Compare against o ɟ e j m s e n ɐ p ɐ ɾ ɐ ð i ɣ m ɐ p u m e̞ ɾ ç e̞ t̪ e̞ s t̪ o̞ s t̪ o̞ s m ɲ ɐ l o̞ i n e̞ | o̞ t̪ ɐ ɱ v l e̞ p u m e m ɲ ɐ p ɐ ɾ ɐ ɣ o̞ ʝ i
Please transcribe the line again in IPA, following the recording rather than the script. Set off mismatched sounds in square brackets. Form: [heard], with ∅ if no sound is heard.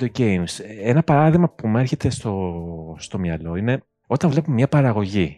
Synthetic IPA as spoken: o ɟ e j m s e n ɐ p ɐ ɾ ɐ ð i ɣ m ɐ p u m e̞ ɾ ç e̞ t̪ e̞ s t̪ o̞ s t̪ o̞ [∅] m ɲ ɐ l o̞ i n e̞ | o̞ t̪ ɐ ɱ v l e̞ p u m e m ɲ ɐ p ɐ ɾ ɐ ɣ o̞ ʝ i